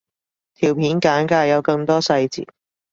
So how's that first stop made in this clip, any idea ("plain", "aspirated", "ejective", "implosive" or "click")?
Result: aspirated